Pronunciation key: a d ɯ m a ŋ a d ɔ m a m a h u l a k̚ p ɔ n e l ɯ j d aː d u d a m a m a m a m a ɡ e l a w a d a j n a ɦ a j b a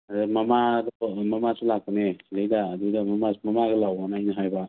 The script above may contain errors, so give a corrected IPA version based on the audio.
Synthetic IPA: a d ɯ m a m a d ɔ m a m a s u l a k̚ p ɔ n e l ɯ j d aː d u d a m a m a m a m a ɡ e l a w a n a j n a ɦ a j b a